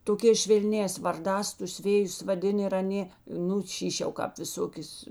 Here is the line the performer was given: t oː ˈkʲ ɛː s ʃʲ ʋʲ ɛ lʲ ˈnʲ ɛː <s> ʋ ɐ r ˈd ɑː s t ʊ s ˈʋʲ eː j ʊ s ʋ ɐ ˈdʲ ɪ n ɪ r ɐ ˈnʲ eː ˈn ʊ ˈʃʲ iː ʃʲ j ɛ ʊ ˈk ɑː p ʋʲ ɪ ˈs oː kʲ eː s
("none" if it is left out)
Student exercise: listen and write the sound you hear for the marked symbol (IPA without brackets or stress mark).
s